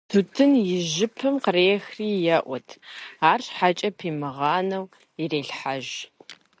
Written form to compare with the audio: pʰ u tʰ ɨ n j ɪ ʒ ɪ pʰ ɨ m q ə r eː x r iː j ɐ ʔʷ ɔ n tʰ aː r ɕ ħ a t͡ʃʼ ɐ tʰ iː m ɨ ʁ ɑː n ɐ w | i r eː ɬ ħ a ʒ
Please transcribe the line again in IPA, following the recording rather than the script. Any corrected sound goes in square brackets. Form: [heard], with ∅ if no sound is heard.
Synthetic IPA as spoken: [tʰ] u tʰ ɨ n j ɪ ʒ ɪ pʰ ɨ m q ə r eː x r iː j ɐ ʔʷ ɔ [∅] tʰ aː r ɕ ħ a t͡ʃʼ ɐ [pʰ] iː m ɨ ʁ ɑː n ɐ w | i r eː ɬ ħ a ʒ